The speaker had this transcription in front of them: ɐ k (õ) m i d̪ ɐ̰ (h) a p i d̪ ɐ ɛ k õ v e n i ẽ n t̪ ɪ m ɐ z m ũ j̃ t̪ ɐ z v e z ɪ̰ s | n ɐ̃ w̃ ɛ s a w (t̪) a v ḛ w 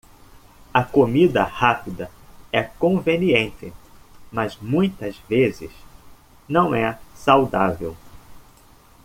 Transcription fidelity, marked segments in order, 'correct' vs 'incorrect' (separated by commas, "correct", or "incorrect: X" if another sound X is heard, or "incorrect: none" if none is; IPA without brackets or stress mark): incorrect: o, correct, incorrect: d̪